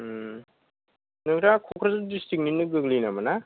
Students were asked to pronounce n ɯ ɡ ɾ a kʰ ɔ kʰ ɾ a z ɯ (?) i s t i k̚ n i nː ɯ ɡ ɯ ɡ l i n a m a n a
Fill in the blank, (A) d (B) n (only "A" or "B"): A